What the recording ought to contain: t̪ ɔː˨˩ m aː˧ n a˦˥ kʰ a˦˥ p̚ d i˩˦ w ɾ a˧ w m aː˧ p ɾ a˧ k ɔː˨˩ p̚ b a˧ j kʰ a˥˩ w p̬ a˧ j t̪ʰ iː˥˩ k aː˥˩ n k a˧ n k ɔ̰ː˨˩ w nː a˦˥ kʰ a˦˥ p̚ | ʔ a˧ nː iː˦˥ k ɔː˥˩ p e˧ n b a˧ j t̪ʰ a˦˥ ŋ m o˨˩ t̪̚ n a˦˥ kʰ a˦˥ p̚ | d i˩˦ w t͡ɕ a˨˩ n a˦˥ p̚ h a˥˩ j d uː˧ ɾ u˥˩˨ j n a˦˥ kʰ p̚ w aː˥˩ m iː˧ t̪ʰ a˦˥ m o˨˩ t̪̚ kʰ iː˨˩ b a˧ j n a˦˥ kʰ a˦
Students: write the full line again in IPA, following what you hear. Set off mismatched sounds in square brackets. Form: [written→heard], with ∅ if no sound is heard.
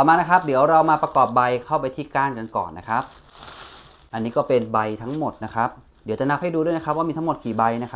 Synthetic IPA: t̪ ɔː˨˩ m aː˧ n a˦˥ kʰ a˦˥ p̚ d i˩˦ w ɾ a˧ w m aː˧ p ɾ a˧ k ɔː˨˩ p̚ b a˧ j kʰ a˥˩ w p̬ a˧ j t̪ʰ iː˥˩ k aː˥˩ n k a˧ n k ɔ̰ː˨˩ [w→∅] nː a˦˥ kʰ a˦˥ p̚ | ʔ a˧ nː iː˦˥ k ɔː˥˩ p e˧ n b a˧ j t̪ʰ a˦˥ ŋ m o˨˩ t̪̚ n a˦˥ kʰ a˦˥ p̚ | d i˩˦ w t͡ɕ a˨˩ n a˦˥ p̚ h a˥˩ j d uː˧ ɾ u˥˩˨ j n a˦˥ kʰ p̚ w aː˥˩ m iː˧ t̪ʰ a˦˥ m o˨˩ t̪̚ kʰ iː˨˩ b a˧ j n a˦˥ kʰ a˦

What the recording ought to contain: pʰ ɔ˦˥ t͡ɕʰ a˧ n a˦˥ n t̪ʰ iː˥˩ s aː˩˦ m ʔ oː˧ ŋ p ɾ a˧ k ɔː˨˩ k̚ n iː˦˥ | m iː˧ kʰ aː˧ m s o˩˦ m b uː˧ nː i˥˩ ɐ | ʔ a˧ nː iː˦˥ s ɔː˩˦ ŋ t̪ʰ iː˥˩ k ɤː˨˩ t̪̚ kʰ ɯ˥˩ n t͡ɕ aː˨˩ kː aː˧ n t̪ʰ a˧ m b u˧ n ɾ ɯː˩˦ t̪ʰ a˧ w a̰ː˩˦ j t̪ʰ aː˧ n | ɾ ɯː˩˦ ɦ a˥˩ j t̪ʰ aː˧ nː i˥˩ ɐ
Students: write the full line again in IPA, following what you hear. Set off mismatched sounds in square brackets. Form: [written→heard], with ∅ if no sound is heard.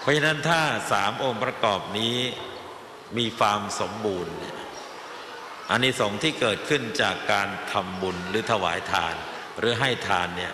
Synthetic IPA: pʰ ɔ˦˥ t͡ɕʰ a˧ n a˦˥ n t̪ʰ [iː˥˩→aː˥˩] s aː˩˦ m ʔ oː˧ ŋ p ɾ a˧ k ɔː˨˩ [k̚→p̚] n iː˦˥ | m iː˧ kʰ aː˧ m s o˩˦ m b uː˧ nː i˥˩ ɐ | ʔ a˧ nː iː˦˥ s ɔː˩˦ ŋ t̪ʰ iː˥˩ k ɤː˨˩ t̪̚ kʰ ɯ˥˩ n t͡ɕ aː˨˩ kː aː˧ n t̪ʰ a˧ m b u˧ n ɾ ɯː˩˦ t̪ʰ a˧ w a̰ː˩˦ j t̪ʰ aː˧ n | ɾ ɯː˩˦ ɦ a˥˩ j t̪ʰ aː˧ nː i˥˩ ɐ

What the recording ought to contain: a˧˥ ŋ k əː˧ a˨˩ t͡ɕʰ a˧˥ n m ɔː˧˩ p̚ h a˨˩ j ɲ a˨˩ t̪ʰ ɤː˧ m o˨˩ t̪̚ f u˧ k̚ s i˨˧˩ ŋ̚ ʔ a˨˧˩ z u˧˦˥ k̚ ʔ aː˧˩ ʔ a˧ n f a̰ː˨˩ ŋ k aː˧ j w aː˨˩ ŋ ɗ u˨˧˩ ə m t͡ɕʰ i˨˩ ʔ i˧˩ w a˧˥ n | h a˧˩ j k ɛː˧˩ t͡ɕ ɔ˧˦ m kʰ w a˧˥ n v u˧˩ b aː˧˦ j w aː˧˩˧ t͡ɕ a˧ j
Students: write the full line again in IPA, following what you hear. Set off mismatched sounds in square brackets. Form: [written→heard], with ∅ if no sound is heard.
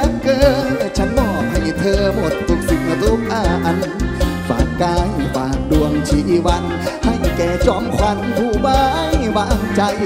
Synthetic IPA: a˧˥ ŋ k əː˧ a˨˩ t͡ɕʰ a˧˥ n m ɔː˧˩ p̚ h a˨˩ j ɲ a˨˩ t̪ʰ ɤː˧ m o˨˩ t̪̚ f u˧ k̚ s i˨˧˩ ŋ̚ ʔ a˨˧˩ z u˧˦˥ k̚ ʔ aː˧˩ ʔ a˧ n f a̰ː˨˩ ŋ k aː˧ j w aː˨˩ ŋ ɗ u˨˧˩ ə [m→ŋ] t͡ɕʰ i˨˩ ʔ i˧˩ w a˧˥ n | h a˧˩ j k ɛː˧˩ t͡ɕ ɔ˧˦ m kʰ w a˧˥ n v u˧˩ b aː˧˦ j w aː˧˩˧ t͡ɕ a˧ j

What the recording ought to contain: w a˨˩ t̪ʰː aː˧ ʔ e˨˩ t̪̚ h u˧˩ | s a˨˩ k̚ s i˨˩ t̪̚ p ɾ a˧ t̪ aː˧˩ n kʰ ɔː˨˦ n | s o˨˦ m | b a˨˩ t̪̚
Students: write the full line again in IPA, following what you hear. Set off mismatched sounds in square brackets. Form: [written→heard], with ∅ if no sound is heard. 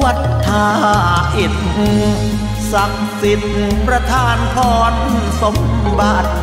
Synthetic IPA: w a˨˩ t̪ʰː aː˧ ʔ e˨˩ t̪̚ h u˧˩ | s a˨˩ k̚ s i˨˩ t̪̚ p ɾ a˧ [t̪→t̪ʰ] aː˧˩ n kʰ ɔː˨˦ n | s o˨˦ m | b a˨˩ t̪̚

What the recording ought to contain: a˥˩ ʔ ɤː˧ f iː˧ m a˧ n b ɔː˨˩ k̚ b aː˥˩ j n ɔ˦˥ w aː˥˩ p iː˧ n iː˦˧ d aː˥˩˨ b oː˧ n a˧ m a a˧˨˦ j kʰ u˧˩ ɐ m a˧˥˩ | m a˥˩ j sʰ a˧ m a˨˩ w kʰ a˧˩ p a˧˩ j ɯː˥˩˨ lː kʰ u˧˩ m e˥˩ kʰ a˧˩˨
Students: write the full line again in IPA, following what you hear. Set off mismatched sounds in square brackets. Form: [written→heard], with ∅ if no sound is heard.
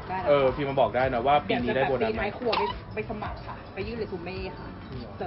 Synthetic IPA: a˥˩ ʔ ɤː˧ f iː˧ m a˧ n b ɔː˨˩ k̚ [b→d] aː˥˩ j n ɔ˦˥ w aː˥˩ p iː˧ n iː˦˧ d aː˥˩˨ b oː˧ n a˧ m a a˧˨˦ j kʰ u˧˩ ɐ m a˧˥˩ | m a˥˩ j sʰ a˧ m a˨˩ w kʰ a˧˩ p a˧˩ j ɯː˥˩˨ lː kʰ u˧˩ m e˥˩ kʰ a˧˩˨

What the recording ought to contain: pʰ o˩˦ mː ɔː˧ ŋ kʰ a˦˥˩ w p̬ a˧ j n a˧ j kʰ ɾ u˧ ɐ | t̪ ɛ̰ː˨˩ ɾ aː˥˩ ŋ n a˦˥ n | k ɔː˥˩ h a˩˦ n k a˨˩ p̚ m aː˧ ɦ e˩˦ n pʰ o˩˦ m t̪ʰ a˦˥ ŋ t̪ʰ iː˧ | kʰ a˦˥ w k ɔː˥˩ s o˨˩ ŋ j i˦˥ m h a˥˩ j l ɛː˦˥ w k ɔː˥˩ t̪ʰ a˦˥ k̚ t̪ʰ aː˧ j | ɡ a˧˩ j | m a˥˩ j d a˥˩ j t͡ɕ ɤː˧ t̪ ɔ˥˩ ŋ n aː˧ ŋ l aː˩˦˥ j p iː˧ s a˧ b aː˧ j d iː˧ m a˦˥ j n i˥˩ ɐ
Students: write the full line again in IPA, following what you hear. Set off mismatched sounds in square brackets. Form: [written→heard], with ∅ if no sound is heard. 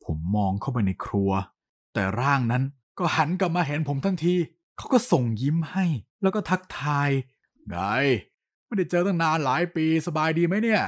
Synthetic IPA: pʰ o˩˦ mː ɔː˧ ŋ kʰ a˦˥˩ w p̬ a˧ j n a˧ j kʰ ɾ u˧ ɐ | t̪ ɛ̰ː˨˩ ɾ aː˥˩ ŋ n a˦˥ n | k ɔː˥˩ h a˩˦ n k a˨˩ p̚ m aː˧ ɦ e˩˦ n pʰ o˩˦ m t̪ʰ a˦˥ ŋ t̪ʰ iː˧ | kʰ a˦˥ w k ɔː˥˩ s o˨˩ ŋ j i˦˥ m h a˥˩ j l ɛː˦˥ w k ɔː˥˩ t̪ʰ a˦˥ k̚ t̪ʰ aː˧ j | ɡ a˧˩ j | m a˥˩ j d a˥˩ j t͡ɕ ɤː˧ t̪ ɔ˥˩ ŋ n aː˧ [ŋ→n] l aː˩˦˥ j p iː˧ s a˧ b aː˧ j d iː˧ m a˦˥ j n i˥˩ ɐ

